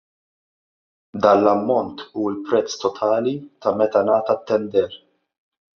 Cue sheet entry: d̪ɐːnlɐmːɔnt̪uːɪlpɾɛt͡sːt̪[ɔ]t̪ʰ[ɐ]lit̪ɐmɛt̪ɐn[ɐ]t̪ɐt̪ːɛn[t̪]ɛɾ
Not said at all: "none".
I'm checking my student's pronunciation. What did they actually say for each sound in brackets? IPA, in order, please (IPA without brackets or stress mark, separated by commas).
ɔ, ɐː, ɐː, d̪